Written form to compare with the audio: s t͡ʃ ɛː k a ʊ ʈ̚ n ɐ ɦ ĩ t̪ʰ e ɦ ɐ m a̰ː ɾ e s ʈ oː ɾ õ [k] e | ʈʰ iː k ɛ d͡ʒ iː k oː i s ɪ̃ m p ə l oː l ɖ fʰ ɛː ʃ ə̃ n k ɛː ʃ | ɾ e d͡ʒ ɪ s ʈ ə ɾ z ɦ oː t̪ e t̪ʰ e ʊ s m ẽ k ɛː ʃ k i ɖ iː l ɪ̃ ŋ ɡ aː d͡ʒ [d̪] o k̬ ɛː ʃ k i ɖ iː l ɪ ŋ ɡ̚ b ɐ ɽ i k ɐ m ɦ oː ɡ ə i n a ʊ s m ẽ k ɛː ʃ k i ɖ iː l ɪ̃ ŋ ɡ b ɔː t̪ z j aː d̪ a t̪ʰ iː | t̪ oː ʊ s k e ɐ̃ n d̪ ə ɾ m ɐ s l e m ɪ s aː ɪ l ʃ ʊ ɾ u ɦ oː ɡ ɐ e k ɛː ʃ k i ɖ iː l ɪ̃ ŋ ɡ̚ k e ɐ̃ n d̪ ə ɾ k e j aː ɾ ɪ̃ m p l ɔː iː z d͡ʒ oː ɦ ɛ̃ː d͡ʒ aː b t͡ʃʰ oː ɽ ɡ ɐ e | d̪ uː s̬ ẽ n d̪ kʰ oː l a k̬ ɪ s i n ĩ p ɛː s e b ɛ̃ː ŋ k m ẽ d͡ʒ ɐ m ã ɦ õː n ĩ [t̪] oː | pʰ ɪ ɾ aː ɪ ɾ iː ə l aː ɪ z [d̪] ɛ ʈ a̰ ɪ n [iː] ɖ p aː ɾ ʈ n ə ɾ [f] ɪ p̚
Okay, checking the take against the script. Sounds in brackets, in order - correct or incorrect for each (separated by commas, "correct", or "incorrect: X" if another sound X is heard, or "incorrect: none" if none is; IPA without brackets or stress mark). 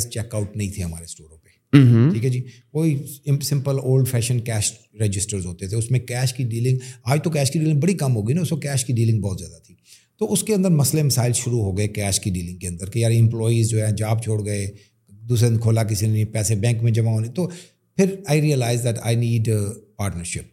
incorrect: p, incorrect: t̪, correct, correct, correct, incorrect: ʃ